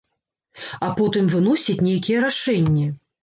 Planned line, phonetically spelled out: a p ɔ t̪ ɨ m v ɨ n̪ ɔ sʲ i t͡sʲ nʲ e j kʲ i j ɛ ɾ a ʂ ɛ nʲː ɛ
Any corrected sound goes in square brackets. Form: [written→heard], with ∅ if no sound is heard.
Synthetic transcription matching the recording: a p ɔ t̪ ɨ m v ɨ n̪ ɔ sʲ i t͡sʲ nʲ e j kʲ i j ɛ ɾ a ʂ ɛ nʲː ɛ